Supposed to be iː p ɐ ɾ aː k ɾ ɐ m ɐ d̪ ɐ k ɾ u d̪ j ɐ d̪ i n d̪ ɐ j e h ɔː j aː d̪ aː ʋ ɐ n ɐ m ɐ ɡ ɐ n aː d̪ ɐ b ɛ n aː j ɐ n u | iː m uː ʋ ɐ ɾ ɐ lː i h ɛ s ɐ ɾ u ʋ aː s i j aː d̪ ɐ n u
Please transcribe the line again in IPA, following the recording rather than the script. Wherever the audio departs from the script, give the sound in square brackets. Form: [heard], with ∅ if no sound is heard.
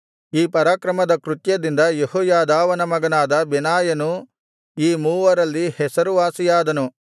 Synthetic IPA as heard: iː p ɐ ɾ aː k ɾ ɐ m ɐ d̪ ɐ k ɾ u [t̪] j ɐ d̪ i n d̪ ɐ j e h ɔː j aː d̪ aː ʋ ɐ n ɐ m ɐ ɡ ɐ n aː d̪ ɐ b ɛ n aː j ɐ n u | iː m uː ʋ ɐ ɾ ɐ lː i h ɛ s ɐ ɾ u ʋ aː s i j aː d̪ ɐ n u

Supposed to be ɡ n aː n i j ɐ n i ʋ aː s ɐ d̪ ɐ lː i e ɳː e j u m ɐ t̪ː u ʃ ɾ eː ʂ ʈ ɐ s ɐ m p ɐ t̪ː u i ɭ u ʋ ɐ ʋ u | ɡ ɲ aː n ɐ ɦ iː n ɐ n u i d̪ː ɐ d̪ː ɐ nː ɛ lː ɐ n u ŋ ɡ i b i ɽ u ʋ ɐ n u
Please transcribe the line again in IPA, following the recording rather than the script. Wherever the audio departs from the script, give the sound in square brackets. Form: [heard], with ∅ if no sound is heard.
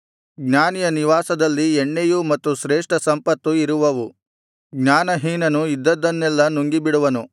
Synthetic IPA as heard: ɡ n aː n i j ɐ n i ʋ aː s ɐ d̪ ɐ lː i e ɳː e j u m ɐ t̪ː u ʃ ɾ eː ʂ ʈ ɐ s ɐ m p ɐ t̪ː u i [ɾ] u ʋ ɐ ʋ u | ɡ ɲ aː n ɐ ɦ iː n ɐ n u i d̪ː ɐ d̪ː ɐ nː ɛ lː ɐ n u ŋ ɡ i b i ɽ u ʋ ɐ n u

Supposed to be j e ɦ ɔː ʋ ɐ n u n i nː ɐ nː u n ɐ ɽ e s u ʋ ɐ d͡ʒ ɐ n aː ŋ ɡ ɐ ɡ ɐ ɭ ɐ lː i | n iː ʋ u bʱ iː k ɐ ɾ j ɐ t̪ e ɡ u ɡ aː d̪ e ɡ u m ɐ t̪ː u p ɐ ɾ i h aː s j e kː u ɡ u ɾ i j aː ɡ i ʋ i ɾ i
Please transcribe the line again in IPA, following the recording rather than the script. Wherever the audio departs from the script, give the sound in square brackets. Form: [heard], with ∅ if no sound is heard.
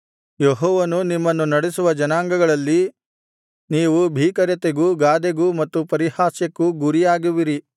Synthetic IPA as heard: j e ɦ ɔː ʋ ɐ n u n i [mː] ɐ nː u n ɐ ɽ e s u ʋ ɐ d͡ʒ ɐ n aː ŋ ɡ ɐ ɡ ɐ ɭ ɐ lː i | n iː ʋ u bʱ iː k ɐ ɾ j ɐ t̪ e ɡ u ɡ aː d̪ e ɡ u m ɐ t̪ː u p ɐ ɾ i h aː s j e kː u ɡ u ɾ i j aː ɡ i ʋ i ɾ i

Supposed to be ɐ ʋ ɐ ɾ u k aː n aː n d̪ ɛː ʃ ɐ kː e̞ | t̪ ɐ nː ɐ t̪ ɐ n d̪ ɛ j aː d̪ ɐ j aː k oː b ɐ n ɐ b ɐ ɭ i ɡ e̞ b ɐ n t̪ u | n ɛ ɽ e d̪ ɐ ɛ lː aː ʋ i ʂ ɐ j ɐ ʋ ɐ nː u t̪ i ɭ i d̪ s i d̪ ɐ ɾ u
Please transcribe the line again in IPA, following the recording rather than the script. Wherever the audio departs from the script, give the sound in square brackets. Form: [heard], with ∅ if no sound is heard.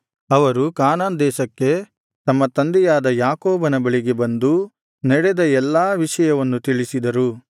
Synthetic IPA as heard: ɐ ʋ ɐ ɾ u k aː n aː n d̪ ɛː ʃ ɐ kː e̞ | t̪ ɐ [mː] ɐ t̪ ɐ n d̪ ɛ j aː d̪ ɐ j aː k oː b ɐ n ɐ b ɐ ɭ i ɡ e̞ b ɐ n [d̪] u | n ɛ ɽ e d̪ ɐ ɛ lː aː ʋ i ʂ ɐ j ɐ ʋ ɐ nː u t̪ i ɭ i [∅] s i d̪ ɐ ɾ u

